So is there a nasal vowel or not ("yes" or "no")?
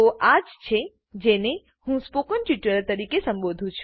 yes